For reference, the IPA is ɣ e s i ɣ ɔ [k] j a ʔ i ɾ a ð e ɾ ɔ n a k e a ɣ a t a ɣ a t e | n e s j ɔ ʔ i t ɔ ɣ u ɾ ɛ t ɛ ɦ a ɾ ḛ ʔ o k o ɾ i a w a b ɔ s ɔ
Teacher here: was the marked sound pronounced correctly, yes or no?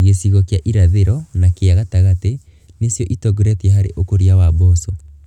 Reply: yes